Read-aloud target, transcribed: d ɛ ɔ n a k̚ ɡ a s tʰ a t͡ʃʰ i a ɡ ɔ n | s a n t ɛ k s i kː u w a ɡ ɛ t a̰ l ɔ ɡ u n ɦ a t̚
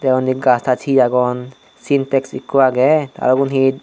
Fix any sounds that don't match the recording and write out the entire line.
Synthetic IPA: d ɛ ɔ n i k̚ ɡ a s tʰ a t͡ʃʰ i a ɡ ɔ n | s i n t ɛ k s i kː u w a ɡ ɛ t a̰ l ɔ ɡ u n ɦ i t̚